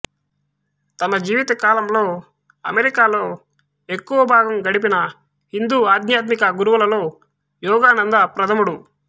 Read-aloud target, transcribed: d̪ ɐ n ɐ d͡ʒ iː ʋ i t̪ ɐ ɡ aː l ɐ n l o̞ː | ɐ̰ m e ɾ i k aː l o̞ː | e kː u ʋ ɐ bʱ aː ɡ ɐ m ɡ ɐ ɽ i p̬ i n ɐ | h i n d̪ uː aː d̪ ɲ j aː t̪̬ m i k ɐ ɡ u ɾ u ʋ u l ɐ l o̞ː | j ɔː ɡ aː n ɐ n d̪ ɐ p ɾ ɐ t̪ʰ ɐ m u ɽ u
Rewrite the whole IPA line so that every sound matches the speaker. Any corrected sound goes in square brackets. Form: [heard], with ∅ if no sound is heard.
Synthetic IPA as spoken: [t̪] ɐ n ɐ d͡ʒ iː ʋ i t̪ ɐ [k] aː l ɐ [m] l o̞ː | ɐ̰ m e ɾ i k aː l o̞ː | e kː u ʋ ɐ bʱ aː ɡ ɐ m ɡ ɐ ɽ i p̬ i n ɐ | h i n d̪ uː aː d̪ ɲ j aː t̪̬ m i k ɐ ɡ u ɾ u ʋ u l ɐ l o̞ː | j ɔː ɡ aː n ɐ n d̪ ɐ p ɾ ɐ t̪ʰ ɐ m u ɽ u

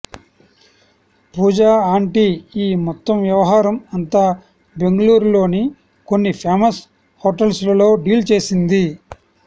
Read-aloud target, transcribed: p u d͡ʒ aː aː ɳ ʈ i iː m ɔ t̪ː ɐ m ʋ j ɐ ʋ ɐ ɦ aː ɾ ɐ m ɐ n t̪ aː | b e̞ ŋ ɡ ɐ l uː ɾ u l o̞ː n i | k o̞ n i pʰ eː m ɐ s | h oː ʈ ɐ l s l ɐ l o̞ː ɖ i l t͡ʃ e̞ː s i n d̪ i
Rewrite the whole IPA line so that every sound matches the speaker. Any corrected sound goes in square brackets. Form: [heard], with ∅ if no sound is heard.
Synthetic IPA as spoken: p [uː] d͡ʒ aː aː ɳ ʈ i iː m ɔ t̪ː ɐ m ʋ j ɐ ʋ ɐ ɦ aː ɾ ɐ m ɐ n t̪ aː | b e̞ ŋ ɡ ɐ l uː ɾ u l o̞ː n i | k o̞ [nː] i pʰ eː m ɐ s | h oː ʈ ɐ l s l ɐ l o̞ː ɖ [iː] l t͡ʃ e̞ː s i n d̪ i

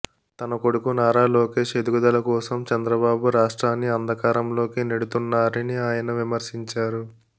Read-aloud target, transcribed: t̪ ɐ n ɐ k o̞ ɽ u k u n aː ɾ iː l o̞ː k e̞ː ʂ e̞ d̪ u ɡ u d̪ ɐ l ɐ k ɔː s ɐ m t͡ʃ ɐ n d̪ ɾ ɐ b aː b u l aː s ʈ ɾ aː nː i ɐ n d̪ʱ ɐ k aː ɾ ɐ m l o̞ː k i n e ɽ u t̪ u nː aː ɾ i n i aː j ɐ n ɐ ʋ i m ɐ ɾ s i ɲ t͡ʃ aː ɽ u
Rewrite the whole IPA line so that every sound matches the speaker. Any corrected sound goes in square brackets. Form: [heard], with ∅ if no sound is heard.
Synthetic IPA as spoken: t̪ ɐ n ɐ k o̞ ɽ u k u n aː ɾ [aː] l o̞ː k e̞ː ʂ e̞ d̪ u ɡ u d̪ ɐ l ɐ k ɔː s ɐ m t͡ʃ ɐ n d̪ ɾ ɐ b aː b u [ɾ] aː [ʂ] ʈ ɾ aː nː i ɐ n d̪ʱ ɐ k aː ɾ ɐ m l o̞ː k i n e ɽ u t̪ u nː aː ɾ i n i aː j ɐ n ɐ ʋ i m ɐ ɾ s i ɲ t͡ʃ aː [ɾ] u

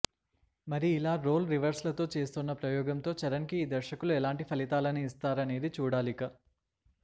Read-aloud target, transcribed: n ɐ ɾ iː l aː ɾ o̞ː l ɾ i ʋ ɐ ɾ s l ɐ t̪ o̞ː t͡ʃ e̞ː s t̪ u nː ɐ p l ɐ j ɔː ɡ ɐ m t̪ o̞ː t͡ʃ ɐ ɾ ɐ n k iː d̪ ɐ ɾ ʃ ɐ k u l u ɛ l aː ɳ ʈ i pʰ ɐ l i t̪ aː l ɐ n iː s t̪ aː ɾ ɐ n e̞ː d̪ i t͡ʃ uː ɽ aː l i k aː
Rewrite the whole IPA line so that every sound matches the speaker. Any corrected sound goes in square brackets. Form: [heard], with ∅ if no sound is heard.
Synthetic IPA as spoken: [m] ɐ ɾ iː l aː ɾ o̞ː l ɾ i ʋ ɐ ɾ s l ɐ t̪ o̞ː t͡ʃ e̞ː s t̪ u nː ɐ p [ɾ] ɐ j ɔː ɡ ɐ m t̪ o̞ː t͡ʃ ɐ ɾ ɐ n k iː d̪ ɐ ɾ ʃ ɐ k u l u ɛ l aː ɳ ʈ i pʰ ɐ l i t̪ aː l ɐ n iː s t̪ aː ɾ ɐ n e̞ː d̪ i t͡ʃ uː ɽ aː l i k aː

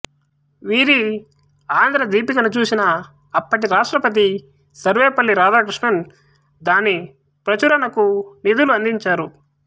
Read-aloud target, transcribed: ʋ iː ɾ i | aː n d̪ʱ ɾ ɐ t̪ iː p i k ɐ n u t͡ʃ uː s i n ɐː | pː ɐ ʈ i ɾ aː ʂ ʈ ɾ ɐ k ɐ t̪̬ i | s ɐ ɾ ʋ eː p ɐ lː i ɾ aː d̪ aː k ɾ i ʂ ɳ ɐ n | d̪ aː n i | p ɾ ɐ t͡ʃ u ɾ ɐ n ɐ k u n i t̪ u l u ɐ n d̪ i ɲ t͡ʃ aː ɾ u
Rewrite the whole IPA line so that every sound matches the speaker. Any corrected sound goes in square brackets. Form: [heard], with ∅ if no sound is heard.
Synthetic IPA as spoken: ʋ iː ɾ i | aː n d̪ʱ ɾ ɐ [d̪] iː p i k ɐ n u t͡ʃ uː s i n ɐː | pː ɐ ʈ i ɾ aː ʂ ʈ ɾ ɐ [p] ɐ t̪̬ i | s ɐ ɾ ʋ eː p ɐ lː i ɾ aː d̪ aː k ɾ i ʂ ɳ ɐ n | d̪ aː n i | p ɾ ɐ t͡ʃ u ɾ ɐ n ɐ k u n i [d̪] u l u ɐ n d̪ i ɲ t͡ʃ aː ɾ u

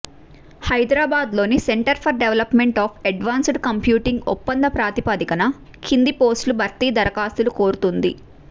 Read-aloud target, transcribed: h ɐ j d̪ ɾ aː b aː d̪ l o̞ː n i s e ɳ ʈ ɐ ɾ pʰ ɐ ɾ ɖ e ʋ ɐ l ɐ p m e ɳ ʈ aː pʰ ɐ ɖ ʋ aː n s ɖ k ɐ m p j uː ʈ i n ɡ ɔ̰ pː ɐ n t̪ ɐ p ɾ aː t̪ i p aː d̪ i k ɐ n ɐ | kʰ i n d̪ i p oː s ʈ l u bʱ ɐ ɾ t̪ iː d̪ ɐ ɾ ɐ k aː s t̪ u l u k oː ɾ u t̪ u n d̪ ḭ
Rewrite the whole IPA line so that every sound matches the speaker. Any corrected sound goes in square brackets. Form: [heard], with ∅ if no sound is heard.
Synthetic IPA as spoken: h ɐ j d̪ ɾ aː b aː d̪ l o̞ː n i s e ɳ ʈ ɐ ɾ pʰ ɐ ɾ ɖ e ʋ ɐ l ɐ p m e ɳ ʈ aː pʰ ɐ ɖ ʋ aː n s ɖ k ɐ m p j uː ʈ i [ŋ] ɡ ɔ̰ pː ɐ n [d̪] ɐ p ɾ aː t̪ i p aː d̪ i k ɐ n ɐ | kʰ i n d̪ i p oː s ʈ l u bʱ ɐ ɾ t̪ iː d̪ ɐ ɾ ɐ k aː s t̪ u l u k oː ɾ u t̪ u n d̪ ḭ

